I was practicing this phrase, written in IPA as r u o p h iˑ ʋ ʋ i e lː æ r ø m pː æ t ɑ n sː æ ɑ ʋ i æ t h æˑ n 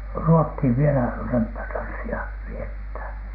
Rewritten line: r u o t h iˑ ʋ ʋ i e l æ r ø m pː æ t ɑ n sː i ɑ ʋ i e t h æˑ n